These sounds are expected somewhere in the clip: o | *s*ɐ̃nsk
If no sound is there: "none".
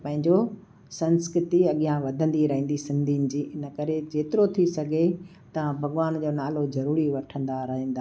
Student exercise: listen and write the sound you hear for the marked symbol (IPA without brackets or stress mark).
s